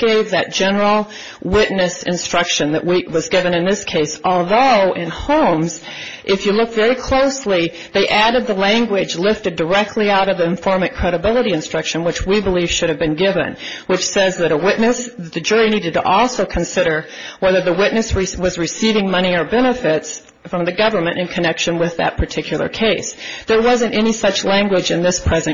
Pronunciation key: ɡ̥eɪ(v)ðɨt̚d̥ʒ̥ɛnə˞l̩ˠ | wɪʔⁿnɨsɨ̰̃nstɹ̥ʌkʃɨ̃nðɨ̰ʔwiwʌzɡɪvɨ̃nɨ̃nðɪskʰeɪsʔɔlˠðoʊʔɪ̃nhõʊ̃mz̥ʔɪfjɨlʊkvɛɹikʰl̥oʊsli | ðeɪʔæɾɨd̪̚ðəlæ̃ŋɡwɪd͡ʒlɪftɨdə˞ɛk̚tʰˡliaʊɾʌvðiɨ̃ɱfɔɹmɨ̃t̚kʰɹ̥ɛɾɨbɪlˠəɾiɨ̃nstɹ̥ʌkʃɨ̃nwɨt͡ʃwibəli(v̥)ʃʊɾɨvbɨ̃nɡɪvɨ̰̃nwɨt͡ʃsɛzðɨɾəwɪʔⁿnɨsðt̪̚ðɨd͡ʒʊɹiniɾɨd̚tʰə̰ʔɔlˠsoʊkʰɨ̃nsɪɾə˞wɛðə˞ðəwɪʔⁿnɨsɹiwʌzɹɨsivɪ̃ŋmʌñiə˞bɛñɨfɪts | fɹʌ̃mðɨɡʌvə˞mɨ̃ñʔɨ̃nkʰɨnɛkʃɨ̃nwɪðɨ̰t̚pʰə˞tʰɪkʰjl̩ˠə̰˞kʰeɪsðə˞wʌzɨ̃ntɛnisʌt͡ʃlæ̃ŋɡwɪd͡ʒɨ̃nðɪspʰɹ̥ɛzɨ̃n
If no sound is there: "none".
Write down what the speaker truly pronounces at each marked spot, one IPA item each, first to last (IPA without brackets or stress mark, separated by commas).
v, v̥